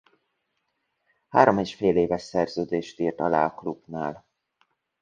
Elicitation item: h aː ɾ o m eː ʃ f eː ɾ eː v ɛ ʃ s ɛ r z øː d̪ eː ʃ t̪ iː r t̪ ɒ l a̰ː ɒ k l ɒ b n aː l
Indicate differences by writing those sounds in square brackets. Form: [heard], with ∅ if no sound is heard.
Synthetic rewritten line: h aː ɾ o m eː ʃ f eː [l] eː v ɛ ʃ s ɛ r z øː d̪ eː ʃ t̪ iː r t̪ ɒ l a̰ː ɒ k l [u] b n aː l